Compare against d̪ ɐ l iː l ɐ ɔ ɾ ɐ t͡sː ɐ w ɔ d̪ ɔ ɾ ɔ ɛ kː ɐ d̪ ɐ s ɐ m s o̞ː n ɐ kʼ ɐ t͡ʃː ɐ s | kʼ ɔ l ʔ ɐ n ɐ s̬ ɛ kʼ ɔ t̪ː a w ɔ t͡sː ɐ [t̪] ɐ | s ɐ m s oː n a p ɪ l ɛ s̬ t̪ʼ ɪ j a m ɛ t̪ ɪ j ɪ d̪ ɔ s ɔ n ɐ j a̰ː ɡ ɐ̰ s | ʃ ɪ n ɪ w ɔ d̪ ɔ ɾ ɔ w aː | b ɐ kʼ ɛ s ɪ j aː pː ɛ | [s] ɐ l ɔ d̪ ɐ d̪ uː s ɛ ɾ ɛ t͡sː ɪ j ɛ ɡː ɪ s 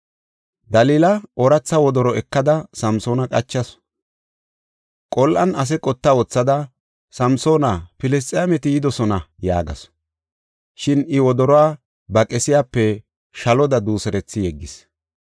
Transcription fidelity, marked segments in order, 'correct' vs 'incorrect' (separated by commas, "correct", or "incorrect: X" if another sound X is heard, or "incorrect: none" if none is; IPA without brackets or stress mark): incorrect: d̪, incorrect: ʃ